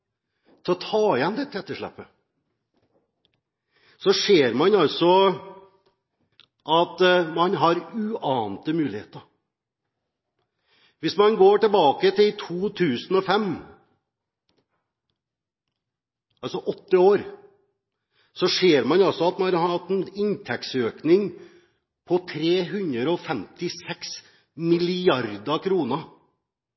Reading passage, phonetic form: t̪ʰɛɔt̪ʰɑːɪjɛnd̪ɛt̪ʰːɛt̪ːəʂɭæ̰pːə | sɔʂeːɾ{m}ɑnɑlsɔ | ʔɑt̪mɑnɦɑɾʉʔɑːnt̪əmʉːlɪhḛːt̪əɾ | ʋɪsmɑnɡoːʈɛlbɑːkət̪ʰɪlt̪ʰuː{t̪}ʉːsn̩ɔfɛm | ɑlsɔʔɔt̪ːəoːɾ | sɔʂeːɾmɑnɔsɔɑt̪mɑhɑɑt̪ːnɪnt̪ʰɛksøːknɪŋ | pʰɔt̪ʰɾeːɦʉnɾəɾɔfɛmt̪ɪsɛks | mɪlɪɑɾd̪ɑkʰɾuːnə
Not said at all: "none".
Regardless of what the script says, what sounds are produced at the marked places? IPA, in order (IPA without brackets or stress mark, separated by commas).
m, t̪ʰ